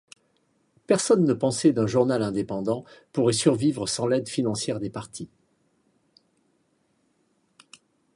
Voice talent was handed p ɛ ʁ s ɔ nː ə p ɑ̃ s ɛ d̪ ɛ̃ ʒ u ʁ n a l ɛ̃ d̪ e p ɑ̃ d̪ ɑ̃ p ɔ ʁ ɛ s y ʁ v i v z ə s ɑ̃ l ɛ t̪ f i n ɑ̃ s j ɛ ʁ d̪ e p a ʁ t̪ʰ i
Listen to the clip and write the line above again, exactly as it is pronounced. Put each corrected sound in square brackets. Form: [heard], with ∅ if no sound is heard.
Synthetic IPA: p ɛ ʁ s ɔ nː ə p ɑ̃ s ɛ d̪ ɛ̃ ʒ u ʁ n a l ɛ̃ d̪ e p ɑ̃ d̪ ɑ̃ p [u] ʁ ɛ s y ʁ v i v [ʁ] ə s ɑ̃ l ɛ [d̪] f i n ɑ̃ s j ɛ ʁ d̪ e p a ʁ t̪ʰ i